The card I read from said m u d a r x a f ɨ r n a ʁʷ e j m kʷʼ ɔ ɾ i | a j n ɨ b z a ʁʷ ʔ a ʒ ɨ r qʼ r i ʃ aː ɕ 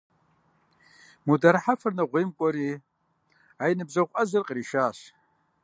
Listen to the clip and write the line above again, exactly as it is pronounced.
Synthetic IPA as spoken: m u d a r ħ a f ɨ r n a ʁʷ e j m kʷʼ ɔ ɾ i | a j n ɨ b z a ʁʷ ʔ a z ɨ r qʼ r i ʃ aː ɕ